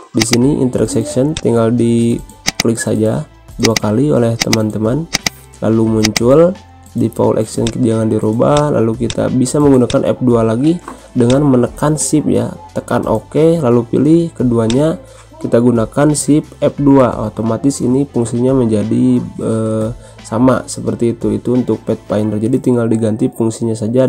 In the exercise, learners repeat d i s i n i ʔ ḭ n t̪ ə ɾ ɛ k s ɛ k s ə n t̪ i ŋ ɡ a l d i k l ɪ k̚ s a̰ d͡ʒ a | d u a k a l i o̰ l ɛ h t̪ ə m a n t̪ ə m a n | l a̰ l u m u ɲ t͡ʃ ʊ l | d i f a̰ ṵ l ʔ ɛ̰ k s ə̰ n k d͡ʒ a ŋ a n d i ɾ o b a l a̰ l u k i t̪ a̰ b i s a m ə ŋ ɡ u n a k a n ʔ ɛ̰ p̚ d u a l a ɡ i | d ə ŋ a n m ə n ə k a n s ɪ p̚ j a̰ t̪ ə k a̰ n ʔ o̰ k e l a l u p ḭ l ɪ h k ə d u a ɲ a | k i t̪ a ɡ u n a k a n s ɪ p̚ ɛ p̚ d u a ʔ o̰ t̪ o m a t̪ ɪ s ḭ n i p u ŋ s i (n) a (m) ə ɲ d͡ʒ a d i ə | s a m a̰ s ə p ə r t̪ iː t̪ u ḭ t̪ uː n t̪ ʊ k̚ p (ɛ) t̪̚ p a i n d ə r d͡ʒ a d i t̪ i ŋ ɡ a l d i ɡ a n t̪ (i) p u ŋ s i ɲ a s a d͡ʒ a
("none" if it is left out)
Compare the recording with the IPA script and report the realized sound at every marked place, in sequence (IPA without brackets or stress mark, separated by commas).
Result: ɲ, m, ɛ, i